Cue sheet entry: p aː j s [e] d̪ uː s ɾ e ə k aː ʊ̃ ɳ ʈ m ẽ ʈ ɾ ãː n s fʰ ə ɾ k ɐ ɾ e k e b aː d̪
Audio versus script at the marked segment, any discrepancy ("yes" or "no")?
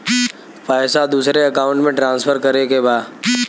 yes